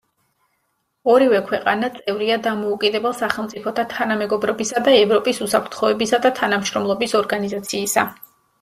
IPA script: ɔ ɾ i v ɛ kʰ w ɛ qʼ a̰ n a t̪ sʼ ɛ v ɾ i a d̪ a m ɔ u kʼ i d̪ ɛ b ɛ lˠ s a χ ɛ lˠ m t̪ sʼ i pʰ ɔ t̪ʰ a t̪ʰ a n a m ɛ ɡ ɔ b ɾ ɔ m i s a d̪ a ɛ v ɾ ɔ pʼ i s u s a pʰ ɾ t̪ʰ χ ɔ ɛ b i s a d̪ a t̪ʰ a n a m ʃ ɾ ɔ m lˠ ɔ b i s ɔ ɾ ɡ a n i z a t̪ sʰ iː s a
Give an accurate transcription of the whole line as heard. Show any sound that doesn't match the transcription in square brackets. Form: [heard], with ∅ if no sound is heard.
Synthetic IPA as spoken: ɔ ɾ i v ɛ kʰ w ɛ qʼ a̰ n a t̪ sʼ ɛ v ɾ i a d̪ a m ɔ u kʼ i d̪ ɛ b ɛ lˠ s a χ ɛ lˠ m t̪ sʼ i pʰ ɔ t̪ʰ a t̪ʰ a n a m ɛ ɡ ɔ b ɾ ɔ [b] i s a d̪ a ɛ v ɾ ɔ pʼ i s u s a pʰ ɾ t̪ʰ χ ɔ ɛ b i s a d̪ a t̪ʰ a n a m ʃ ɾ ɔ m lˠ ɔ b i s ɔ ɾ ɡ a n i z a t̪ sʰ iː s a